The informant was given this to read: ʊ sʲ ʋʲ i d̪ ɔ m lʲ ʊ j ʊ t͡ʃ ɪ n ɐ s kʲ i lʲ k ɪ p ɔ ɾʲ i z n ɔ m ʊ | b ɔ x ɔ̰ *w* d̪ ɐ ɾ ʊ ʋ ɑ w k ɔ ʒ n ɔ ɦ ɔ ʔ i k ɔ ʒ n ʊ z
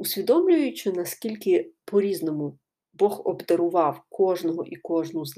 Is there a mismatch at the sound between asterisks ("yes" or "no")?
yes